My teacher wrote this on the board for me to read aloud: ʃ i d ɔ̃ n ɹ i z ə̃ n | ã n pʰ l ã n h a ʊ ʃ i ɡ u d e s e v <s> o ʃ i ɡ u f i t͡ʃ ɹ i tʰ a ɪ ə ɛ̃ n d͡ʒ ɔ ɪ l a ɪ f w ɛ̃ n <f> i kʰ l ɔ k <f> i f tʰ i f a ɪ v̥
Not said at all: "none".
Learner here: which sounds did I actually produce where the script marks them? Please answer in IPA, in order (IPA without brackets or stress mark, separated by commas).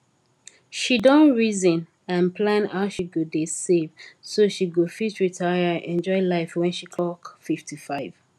s, ʃ, f